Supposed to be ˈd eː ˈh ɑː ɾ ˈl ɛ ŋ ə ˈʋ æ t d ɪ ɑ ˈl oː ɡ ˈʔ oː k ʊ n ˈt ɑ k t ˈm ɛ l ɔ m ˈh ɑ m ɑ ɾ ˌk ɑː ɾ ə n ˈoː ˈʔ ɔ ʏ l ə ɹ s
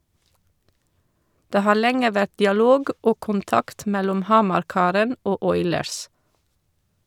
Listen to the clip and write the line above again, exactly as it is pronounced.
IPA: ˈd eː ˈh ɑː ɾ ˈl ɛ ŋ ə ˈʋ æ t d ɪ ɑ ˈl oː ɡ ˈʔ oː k ʊ n ˈt ɑ k t ˈm ɛ l ɔ m ˈh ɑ m ɑ ɾ ˌk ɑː ɾ ə n ˈoː ˈʔ ɔ ʏ l ə ɹ s